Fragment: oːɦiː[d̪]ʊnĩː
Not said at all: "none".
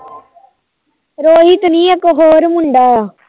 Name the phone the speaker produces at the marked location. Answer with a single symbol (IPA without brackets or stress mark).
t̪